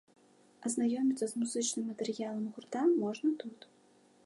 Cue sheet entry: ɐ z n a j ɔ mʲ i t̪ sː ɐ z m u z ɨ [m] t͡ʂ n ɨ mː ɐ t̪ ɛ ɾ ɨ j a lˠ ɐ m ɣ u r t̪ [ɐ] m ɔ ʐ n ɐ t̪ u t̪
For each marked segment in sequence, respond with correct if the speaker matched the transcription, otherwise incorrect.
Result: incorrect, incorrect

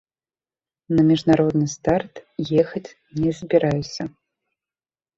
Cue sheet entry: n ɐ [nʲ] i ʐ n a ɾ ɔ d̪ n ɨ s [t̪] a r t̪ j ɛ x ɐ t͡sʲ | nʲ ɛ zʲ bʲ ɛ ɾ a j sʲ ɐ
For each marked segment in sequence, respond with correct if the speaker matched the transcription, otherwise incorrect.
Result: incorrect, correct

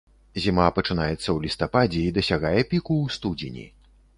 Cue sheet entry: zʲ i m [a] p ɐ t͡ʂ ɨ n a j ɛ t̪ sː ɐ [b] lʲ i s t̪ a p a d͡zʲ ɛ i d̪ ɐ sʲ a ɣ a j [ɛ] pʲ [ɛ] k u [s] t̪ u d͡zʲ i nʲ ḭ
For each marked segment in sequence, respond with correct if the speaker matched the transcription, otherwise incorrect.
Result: correct, incorrect, correct, incorrect, correct

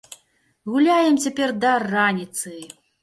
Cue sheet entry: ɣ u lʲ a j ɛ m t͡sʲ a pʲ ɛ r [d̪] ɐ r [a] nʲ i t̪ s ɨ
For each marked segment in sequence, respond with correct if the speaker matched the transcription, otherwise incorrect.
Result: correct, correct

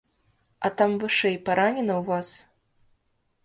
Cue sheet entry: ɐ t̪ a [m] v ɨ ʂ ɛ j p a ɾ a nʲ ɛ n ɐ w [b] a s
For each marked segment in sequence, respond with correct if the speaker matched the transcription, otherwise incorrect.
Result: correct, incorrect

